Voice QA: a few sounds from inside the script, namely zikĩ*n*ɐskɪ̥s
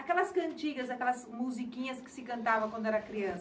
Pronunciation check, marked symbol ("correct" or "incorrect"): incorrect